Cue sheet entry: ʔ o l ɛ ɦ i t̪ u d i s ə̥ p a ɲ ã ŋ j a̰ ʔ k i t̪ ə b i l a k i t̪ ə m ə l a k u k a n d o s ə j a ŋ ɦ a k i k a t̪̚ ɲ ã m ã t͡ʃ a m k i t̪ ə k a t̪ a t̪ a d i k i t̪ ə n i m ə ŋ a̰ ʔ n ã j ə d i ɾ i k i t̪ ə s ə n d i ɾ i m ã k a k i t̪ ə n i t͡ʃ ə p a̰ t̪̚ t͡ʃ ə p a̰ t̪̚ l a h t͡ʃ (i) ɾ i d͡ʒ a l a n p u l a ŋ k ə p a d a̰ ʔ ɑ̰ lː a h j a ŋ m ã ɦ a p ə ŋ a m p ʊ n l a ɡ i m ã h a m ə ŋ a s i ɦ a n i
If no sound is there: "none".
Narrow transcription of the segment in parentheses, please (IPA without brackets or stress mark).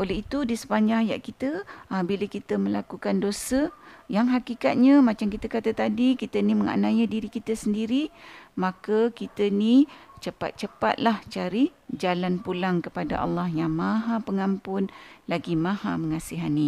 a